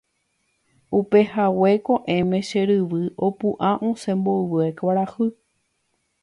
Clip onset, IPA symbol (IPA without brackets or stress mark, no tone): u